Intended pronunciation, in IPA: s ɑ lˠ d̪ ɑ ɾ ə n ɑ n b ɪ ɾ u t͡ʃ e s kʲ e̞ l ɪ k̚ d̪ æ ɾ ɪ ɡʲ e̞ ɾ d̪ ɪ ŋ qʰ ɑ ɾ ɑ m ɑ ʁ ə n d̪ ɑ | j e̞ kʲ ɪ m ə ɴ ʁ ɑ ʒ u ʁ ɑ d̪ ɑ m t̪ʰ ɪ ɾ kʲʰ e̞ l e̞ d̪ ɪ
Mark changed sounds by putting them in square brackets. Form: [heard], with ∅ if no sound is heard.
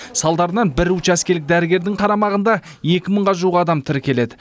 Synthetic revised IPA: s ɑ lˠ d̪ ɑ ɾ ə n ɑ n b ɪ ɾ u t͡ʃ [æ] s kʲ e̞ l ɪ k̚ d̪ æ ɾ ɪ ɡʲ e̞ ɾ d̪ ɪ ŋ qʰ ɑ ɾ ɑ m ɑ ʁ ə n d̪ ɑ | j e̞ kʲ ɪ m ə ɴ ʁ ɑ ʒ u ʁ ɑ d̪ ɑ m t̪ʰ ɪ ɾ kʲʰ e̞ l e̞ d̪ ɪ